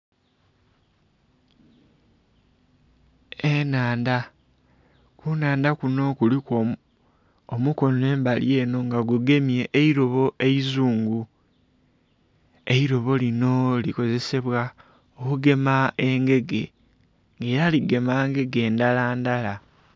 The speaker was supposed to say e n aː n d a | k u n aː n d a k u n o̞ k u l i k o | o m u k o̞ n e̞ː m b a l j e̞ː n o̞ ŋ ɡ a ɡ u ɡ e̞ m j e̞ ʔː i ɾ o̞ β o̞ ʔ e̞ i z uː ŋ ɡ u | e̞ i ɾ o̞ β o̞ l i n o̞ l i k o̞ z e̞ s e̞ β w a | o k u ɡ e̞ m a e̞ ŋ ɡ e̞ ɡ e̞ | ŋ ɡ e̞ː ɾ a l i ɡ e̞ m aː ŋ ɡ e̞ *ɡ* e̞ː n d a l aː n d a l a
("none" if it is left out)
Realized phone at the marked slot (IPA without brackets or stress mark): ɡ